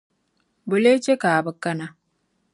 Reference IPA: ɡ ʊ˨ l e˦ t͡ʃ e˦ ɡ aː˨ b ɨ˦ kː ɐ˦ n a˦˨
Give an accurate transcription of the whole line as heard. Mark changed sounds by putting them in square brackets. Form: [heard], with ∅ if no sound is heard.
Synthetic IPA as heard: [b] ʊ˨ l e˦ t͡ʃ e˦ [k] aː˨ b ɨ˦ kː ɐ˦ n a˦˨